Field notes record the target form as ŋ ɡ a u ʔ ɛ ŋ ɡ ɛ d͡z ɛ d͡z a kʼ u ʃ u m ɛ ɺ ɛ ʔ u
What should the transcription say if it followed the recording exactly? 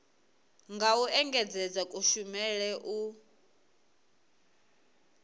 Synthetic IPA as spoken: ŋ ɡ a u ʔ ɛ ŋ ɡ ɛ d͡z ɛ d͡z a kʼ u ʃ u m ɛ ɺ ɛ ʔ u